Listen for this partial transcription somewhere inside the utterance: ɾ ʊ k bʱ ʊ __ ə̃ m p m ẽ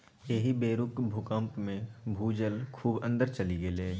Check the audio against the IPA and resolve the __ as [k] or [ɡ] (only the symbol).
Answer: k